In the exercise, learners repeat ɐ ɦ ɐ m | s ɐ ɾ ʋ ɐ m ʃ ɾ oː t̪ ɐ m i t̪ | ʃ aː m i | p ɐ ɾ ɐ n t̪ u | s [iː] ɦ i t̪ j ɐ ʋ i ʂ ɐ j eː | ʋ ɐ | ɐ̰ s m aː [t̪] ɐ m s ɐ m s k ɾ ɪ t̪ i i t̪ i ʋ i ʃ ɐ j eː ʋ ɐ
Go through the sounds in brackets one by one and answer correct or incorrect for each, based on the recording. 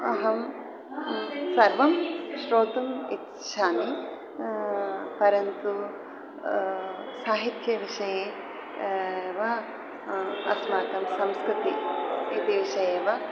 incorrect: aː, correct

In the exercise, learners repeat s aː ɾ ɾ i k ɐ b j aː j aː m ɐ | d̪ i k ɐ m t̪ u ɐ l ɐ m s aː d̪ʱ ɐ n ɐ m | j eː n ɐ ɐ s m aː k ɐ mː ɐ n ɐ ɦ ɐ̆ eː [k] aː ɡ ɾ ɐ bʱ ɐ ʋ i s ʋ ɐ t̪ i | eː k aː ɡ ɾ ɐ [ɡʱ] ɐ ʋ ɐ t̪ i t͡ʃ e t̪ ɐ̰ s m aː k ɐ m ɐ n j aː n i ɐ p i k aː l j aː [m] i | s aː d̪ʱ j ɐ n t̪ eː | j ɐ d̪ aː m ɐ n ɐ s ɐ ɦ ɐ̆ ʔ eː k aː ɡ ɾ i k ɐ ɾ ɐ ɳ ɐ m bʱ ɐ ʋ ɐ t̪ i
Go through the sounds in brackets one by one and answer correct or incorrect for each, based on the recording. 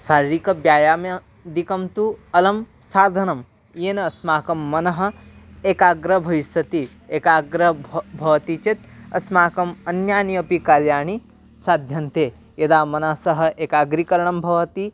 correct, incorrect: bʱ, incorrect: ɳ

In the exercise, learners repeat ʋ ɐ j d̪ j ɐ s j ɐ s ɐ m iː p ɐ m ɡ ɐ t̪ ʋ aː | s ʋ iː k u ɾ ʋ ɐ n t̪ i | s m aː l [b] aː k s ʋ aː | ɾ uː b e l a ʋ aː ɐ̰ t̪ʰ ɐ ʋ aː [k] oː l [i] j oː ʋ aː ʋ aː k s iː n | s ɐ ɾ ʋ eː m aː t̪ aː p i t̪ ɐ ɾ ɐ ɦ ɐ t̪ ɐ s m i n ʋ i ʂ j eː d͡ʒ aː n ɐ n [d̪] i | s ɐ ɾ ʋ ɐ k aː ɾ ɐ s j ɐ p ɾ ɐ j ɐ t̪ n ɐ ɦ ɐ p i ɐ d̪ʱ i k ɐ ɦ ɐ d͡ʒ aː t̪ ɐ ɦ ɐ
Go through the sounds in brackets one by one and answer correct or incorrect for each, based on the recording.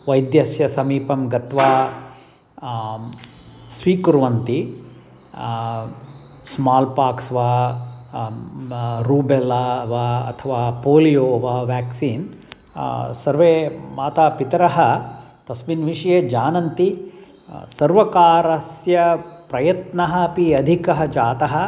incorrect: p, incorrect: p, correct, incorrect: t̪

